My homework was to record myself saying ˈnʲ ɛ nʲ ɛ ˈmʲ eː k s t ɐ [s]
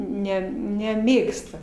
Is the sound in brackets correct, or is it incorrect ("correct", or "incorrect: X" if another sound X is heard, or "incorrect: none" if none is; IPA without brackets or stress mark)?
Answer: incorrect: none